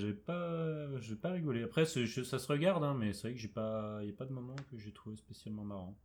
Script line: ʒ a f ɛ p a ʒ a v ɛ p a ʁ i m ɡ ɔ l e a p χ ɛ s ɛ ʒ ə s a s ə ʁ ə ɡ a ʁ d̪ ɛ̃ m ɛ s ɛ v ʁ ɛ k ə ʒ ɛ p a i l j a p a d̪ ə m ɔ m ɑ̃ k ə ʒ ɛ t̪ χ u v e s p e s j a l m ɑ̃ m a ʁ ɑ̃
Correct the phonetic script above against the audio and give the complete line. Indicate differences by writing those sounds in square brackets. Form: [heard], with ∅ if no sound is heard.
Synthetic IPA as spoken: ʒ a [v] ɛ p a ʒ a v ɛ p a ʁ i [∅] ɡ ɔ l e a p χ ɛ s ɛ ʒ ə s a s ə ʁ ə ɡ a ʁ d̪ ɛ̃ m ɛ s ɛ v ʁ ɛ k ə ʒ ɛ p a i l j a p a d̪ ə m ɔ m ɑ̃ k ə ʒ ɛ t̪ χ u v e s p e s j a l m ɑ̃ m a ʁ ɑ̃